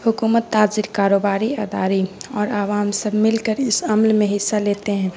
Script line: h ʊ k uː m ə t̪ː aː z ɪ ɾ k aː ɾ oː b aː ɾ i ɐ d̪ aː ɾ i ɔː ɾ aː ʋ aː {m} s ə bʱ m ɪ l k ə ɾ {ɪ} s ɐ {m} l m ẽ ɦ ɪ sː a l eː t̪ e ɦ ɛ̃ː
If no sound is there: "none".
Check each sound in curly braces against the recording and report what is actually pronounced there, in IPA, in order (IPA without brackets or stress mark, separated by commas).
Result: m, ɪ, m